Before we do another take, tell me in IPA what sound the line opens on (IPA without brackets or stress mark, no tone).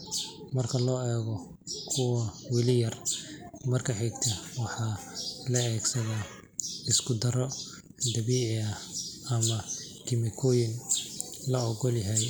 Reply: m